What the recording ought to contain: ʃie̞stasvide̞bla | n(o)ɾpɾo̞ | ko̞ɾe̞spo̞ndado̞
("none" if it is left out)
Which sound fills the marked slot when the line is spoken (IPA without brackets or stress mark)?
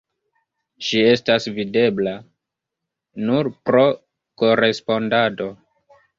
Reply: u